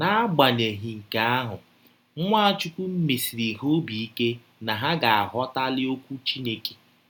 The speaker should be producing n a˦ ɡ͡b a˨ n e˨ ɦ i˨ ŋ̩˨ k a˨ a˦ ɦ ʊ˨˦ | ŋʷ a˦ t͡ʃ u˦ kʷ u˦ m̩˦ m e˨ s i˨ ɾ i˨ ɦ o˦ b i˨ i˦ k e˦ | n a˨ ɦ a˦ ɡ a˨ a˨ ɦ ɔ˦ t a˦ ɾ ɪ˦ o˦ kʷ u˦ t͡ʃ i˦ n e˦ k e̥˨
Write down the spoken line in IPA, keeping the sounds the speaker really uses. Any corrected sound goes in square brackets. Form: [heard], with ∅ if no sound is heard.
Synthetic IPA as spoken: n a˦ ɡ͡b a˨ n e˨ ɦ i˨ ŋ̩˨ k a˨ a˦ ɦ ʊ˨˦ | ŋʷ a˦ t͡ʃ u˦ kʷ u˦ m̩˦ m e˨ s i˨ ɾ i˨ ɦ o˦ b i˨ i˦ k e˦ | n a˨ ɦ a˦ ɡ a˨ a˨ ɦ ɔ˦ t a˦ [l] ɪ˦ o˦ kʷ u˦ t͡ʃ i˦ n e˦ k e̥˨